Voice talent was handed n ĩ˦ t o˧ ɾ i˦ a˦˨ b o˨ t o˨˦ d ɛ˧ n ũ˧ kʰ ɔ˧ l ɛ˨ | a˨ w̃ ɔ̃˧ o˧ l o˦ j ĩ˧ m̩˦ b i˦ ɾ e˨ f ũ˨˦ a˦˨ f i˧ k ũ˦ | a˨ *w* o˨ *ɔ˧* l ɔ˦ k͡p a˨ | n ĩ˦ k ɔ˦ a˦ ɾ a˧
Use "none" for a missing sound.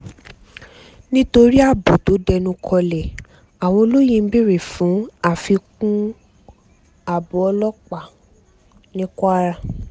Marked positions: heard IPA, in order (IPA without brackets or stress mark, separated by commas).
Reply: b, ɔ˧